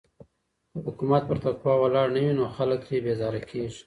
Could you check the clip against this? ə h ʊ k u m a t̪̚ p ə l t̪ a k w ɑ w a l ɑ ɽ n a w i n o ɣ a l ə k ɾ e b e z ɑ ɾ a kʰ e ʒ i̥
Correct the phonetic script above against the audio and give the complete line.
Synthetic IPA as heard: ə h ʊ k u m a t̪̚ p ə ɾ t̪ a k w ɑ w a l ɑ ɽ n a w i n o x a l ə k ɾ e b e z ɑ ɾ a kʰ e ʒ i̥

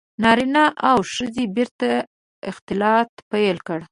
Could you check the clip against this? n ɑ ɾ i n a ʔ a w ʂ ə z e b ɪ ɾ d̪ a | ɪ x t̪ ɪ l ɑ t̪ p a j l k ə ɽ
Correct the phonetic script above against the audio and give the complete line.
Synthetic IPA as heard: n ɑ ɾ i n a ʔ a w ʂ ə z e b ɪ ɾ t̪ a | ɪ x t̪ ɪ l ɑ t̪ p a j l k ə ɽ

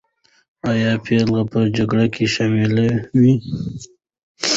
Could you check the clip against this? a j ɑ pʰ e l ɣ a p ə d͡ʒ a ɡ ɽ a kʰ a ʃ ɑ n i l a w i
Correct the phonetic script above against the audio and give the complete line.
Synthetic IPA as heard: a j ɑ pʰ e l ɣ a p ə d͡ʒ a ɡ ɽ a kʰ e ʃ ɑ m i l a w i

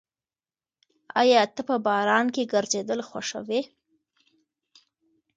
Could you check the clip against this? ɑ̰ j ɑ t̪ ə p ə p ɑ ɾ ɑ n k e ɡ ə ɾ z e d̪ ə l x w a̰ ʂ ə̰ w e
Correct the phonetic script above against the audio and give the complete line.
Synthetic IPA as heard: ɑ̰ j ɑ t̪ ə p ə b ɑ ɾ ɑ n k e ɡ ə ɾ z e d̪ ə l x w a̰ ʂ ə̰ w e

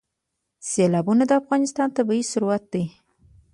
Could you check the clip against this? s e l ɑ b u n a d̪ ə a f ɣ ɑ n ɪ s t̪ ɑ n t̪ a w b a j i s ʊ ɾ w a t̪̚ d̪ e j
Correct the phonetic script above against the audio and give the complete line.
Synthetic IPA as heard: s e l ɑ b u n a d̪ ə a f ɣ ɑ n ɪ s t̪ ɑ n t̪ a b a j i s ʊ ɾ w a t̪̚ d̪ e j

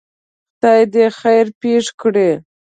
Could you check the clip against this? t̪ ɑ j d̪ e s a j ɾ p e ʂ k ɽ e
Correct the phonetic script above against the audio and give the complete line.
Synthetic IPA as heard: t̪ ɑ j d̪ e x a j ɾ p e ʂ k ɽ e

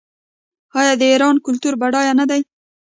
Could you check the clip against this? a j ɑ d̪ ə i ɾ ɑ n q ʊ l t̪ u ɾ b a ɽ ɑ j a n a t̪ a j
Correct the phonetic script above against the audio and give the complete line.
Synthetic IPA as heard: ɑ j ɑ d̪ ə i ɾ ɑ n k ʊ l t̪ u ɾ b a ɽ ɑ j a n a d̪ a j

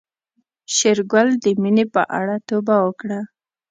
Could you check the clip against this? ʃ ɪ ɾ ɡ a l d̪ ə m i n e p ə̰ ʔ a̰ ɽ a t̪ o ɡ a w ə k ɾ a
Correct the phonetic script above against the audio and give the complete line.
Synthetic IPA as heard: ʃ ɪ ɾ ɡ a l d̪ ə m i n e p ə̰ ʔ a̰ ɽ a t̪ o b a w ə k ɽ a

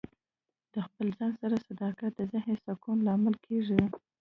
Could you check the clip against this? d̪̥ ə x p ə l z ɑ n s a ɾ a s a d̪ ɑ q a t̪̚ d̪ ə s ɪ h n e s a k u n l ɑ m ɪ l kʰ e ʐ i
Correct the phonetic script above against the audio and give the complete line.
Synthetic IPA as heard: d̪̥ ə x p ə l z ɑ n s a ɾ a s a d̪ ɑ k a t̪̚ d̪ ə z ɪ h n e s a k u n l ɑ m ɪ l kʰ e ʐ i

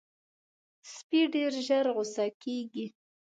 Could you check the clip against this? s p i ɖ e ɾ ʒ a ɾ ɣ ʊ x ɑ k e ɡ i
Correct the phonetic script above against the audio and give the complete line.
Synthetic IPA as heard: s p i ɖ e ɾ ʒ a ɾ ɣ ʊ s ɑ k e ɡ i

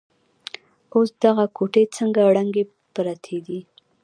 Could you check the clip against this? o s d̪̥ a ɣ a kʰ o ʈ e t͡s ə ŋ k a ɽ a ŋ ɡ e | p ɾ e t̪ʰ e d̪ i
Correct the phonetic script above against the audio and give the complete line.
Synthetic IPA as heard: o s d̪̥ a ɣ a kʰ o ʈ e t͡s ə ŋ ɡ a ɽ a ŋ ɡ e | p ɾ a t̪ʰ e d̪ i

